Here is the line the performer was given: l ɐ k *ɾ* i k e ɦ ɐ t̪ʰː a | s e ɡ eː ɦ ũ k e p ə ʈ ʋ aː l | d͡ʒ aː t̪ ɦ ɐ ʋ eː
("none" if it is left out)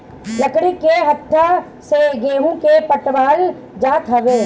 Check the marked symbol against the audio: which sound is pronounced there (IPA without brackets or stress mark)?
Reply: ɽ